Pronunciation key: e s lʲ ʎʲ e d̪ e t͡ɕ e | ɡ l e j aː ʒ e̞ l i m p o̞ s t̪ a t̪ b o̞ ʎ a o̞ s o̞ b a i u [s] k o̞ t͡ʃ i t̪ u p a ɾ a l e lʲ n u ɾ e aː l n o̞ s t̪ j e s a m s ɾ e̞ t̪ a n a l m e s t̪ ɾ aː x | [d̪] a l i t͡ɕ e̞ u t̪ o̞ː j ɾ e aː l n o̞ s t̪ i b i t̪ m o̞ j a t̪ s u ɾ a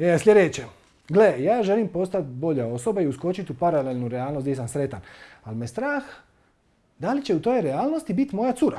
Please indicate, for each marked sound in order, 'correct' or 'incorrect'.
correct, correct

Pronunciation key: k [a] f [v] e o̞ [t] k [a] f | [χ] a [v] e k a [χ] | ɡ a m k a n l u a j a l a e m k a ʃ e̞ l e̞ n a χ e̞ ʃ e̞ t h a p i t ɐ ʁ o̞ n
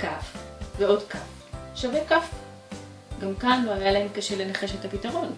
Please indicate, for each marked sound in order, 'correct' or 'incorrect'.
correct, correct, incorrect: d, correct, incorrect: ʃ, correct, incorrect: f

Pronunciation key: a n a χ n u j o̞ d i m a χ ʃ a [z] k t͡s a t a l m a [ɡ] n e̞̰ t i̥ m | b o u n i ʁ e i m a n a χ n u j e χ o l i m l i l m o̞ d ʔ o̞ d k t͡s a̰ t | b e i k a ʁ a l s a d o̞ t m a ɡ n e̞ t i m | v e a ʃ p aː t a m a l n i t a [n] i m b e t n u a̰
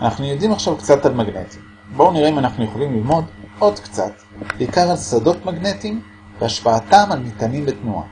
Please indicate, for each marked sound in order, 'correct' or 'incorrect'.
incorrect: v, correct, correct

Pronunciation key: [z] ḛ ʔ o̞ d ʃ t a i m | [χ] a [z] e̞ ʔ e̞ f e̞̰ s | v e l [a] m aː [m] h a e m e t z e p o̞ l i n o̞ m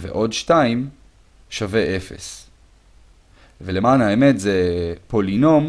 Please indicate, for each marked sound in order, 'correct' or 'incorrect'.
incorrect: v, incorrect: ʃ, incorrect: v, incorrect: e, incorrect: n

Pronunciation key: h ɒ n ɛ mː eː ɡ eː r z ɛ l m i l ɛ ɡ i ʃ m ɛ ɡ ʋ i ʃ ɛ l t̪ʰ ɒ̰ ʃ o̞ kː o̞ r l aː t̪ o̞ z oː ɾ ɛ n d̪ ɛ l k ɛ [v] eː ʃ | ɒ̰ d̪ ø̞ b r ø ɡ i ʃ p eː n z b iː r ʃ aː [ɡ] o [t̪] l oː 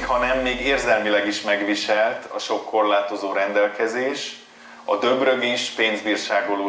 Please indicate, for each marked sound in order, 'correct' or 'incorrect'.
incorrect: z, correct, incorrect: none

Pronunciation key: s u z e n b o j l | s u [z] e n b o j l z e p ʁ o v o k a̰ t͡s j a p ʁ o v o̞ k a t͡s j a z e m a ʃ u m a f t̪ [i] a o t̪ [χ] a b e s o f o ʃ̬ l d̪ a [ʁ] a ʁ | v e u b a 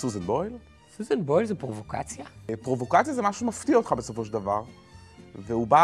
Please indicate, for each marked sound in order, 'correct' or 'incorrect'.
correct, correct, correct, incorrect: v

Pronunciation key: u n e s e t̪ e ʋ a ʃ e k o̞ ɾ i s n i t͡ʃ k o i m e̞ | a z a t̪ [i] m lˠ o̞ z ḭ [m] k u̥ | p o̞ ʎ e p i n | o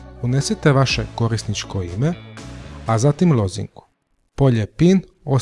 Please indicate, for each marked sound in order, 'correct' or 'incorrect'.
correct, incorrect: ŋ

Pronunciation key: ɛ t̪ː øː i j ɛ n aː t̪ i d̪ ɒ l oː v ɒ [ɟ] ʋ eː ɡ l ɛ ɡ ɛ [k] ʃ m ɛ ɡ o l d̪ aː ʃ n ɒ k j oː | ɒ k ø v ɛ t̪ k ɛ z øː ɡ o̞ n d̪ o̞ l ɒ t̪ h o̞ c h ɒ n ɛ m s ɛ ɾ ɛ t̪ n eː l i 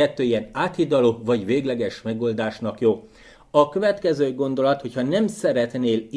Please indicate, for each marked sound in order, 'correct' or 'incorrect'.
correct, incorrect: none

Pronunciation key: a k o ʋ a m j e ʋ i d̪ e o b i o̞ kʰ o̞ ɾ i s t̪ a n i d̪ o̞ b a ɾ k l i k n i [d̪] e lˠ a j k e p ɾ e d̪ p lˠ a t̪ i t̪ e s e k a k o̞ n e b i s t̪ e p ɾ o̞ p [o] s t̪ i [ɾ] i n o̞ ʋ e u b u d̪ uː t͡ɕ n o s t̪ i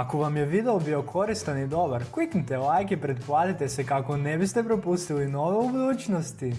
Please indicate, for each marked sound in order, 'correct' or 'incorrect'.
incorrect: t̪, incorrect: u, incorrect: l

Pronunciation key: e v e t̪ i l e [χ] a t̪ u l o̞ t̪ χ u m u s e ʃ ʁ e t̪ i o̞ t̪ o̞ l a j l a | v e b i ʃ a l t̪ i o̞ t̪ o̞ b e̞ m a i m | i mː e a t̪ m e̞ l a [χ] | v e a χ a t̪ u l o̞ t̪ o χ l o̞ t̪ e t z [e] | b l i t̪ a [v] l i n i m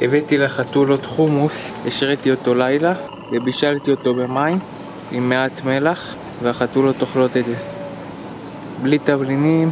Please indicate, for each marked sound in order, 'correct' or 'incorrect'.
correct, correct, correct, correct

